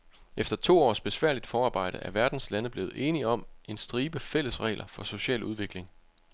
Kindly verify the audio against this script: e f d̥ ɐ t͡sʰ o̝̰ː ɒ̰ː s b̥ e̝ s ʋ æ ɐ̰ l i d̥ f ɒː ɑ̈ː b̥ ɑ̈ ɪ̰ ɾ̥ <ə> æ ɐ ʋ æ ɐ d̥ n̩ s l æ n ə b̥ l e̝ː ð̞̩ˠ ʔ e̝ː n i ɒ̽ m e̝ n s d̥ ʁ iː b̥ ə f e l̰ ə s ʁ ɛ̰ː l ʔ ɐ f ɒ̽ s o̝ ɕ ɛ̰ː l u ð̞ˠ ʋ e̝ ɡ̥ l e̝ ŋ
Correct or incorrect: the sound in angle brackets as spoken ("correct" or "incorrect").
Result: correct